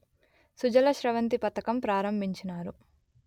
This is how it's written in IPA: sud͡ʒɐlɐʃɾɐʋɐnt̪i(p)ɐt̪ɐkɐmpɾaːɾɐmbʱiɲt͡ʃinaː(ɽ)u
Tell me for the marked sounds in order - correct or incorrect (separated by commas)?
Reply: correct, incorrect